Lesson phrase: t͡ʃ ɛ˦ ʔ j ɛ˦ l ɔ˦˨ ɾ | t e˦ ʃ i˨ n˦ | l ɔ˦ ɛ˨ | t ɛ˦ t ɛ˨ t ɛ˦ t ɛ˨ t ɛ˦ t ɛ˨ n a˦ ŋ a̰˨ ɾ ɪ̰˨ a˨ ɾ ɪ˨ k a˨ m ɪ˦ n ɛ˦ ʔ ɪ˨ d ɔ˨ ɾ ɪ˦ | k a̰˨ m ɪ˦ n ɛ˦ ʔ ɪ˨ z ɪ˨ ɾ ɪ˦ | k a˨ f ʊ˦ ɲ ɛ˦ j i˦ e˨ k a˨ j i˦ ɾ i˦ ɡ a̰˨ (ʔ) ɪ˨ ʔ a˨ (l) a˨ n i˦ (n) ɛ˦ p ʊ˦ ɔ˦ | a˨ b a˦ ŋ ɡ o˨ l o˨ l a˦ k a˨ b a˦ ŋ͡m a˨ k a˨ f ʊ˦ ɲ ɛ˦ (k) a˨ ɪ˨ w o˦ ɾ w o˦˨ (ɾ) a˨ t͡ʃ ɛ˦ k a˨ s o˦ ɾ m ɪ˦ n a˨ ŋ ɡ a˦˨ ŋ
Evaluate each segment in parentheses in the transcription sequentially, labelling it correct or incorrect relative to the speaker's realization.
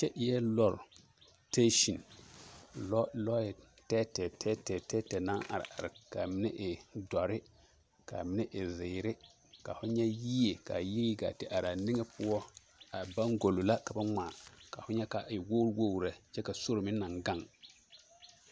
incorrect: t, incorrect: ɾ, incorrect: ŋ, correct, correct

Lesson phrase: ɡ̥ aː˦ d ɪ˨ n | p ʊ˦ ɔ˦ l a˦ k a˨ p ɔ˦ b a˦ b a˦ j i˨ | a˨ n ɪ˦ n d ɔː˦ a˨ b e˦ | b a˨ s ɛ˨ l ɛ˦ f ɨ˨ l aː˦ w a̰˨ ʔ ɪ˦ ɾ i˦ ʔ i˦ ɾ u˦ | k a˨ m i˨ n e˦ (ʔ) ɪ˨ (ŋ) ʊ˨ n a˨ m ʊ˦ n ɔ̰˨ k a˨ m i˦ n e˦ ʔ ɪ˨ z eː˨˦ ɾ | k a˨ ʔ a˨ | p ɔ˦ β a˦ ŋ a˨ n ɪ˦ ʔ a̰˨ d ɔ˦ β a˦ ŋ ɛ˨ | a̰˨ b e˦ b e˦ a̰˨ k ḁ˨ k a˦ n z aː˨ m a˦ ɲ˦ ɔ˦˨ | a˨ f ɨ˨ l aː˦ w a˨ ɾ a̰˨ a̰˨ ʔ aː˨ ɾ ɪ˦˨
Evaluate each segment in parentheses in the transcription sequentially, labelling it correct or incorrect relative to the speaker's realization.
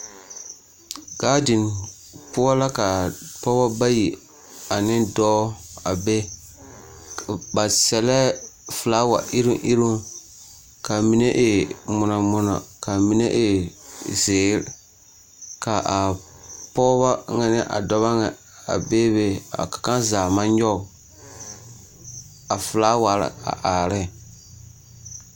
correct, incorrect: m

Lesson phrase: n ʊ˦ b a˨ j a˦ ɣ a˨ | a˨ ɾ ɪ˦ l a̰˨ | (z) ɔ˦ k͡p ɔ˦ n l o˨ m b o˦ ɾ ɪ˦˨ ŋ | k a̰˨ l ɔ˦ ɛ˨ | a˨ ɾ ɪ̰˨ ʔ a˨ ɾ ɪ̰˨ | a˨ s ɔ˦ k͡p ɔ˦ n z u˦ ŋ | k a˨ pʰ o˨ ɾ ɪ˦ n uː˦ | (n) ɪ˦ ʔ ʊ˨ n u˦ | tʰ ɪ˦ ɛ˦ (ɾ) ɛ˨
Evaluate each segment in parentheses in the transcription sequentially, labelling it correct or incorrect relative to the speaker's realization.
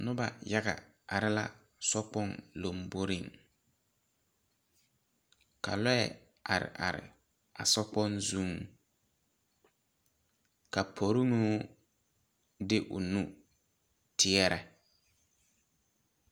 incorrect: s, incorrect: d, correct

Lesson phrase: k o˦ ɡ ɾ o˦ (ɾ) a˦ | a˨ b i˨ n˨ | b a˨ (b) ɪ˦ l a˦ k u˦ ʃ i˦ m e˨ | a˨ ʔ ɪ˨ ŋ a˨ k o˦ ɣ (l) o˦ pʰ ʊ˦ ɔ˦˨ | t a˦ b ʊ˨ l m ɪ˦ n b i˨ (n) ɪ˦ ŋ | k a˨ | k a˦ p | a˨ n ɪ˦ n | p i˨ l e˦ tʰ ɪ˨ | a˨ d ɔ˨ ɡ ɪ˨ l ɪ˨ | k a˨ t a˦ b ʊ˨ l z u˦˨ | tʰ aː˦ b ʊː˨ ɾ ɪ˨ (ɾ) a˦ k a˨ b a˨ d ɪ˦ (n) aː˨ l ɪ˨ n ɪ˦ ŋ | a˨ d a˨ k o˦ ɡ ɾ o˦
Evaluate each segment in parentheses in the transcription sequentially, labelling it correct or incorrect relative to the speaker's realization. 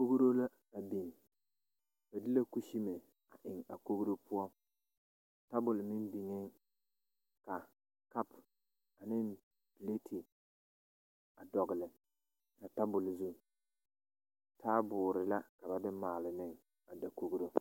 incorrect: l, incorrect: d, incorrect: ɾ, incorrect: ŋ, incorrect: l, incorrect: m

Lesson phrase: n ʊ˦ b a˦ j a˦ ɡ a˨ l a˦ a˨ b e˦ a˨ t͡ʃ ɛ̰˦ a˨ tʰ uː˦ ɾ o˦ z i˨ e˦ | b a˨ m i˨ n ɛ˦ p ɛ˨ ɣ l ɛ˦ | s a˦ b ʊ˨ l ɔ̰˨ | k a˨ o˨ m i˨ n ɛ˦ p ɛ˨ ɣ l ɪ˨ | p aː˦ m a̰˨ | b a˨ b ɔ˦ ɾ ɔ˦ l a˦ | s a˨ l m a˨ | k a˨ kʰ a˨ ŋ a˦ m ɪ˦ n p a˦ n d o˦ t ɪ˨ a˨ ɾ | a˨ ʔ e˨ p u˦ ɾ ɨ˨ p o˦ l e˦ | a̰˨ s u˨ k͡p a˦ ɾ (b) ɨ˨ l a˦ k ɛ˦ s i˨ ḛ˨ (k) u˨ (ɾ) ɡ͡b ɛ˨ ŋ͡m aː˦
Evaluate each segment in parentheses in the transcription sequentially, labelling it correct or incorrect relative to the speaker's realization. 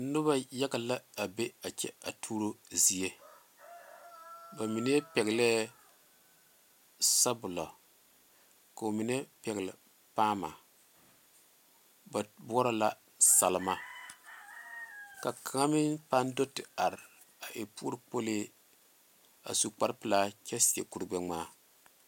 incorrect: p, correct, correct

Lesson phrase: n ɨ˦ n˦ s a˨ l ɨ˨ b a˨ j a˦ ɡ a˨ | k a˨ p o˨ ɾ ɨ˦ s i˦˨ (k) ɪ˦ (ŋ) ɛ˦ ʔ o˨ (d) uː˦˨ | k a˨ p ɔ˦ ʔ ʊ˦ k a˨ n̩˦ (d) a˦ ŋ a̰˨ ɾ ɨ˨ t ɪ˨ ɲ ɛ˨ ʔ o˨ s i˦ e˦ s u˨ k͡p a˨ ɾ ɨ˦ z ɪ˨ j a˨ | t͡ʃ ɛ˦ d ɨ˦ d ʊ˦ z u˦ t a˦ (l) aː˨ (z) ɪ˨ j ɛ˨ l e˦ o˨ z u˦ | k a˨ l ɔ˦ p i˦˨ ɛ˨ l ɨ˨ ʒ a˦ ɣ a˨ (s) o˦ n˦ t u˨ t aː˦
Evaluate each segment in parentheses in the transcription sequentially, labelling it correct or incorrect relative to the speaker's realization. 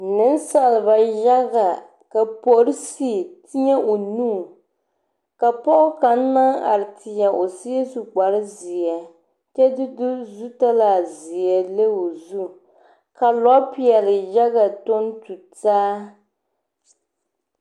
incorrect: t, incorrect: ɲ, incorrect: n, incorrect: n, correct, correct, incorrect: t

